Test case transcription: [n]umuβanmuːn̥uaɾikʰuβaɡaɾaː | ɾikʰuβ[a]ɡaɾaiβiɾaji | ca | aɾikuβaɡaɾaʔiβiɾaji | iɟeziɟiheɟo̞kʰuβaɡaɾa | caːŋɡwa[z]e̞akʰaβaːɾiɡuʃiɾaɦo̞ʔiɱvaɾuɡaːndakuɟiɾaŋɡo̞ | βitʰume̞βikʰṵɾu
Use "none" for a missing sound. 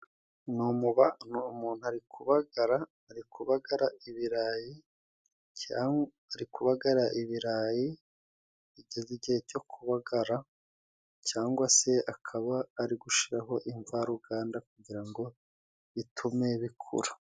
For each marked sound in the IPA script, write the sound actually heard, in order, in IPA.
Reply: n, a, s

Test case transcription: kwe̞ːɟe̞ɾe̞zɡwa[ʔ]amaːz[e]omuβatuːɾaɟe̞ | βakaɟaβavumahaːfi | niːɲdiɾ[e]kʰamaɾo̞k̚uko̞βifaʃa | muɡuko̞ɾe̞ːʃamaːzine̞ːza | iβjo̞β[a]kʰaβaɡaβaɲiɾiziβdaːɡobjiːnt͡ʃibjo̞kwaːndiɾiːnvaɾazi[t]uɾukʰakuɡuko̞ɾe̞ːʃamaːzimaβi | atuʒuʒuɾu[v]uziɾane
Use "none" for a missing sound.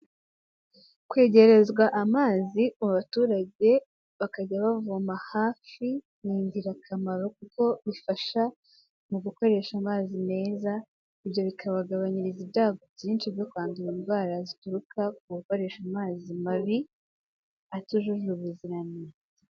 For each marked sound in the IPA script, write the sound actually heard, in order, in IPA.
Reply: ʔ, i, a, i, t, β

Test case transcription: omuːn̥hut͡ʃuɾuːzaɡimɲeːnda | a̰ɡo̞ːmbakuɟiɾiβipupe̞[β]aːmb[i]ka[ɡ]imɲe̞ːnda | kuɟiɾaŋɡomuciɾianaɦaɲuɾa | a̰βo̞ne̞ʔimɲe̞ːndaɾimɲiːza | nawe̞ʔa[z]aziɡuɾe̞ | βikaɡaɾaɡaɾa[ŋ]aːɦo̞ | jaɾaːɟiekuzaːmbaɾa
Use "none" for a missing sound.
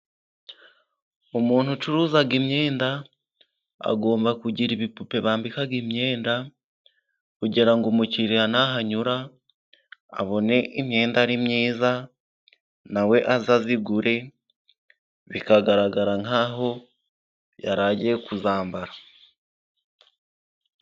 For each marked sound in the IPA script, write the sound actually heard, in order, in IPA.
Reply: β, i, ɡ, z, ŋ

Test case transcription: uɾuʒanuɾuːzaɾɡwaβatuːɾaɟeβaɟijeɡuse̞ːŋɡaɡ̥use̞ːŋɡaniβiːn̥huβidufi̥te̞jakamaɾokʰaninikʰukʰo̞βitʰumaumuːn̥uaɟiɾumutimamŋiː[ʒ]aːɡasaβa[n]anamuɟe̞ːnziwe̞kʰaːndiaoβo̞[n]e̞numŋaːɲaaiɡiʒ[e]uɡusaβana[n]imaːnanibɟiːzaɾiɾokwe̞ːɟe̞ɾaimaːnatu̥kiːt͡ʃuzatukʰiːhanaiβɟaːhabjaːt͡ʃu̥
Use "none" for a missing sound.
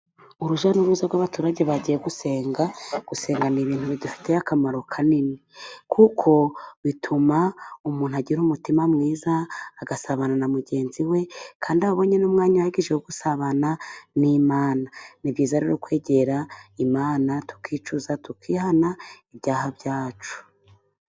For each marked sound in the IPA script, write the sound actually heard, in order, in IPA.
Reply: z, n, ɲ, e, n

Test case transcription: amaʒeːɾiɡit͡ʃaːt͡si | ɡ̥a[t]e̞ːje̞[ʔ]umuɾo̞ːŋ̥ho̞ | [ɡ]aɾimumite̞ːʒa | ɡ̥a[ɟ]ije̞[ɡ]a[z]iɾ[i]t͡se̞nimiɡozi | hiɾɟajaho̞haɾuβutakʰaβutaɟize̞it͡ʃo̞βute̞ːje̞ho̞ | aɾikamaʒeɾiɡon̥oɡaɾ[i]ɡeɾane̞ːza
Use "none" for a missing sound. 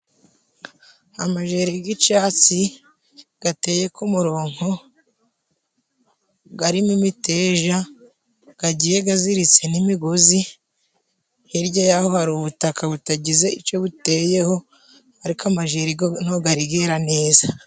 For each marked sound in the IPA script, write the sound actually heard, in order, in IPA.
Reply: t, k, ɡ, ɟ, ɡ, z, i, i

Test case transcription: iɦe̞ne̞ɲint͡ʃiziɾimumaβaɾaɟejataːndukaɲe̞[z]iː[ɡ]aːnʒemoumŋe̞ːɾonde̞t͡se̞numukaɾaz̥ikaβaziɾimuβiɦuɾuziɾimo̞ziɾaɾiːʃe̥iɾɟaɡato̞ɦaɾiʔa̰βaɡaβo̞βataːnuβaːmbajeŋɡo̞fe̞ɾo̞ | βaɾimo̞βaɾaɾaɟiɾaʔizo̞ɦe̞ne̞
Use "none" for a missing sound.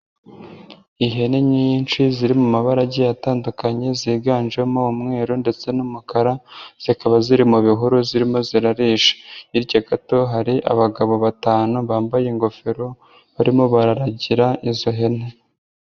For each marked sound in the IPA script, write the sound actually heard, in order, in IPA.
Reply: z, ɡ

